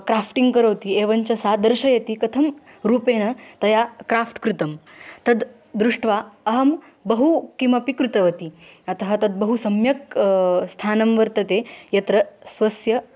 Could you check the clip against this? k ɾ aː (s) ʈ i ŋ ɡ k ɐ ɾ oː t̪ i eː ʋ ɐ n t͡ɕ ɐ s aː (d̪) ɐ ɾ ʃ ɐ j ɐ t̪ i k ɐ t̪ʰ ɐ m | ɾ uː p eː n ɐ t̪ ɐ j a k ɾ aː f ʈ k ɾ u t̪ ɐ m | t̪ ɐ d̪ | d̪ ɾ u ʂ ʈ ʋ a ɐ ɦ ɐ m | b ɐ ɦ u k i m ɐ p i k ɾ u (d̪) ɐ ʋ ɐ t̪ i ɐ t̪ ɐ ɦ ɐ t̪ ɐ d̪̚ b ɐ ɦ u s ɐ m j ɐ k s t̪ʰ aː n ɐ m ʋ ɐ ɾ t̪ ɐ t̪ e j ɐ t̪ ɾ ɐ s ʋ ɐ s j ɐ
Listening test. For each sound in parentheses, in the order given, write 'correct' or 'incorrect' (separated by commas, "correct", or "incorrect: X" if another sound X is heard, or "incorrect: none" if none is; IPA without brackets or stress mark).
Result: incorrect: f, correct, incorrect: t̪